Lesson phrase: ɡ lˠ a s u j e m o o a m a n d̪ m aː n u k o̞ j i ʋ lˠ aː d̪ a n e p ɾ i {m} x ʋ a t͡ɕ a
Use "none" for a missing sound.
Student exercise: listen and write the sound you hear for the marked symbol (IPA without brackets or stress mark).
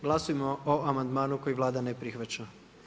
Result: none